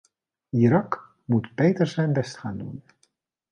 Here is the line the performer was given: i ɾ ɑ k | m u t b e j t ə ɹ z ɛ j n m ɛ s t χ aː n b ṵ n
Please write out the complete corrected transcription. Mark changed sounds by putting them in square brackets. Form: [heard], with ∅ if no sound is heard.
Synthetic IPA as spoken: i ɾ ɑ k | m u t b e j t ə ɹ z ɛ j n [b] ɛ s t χ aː n [d] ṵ n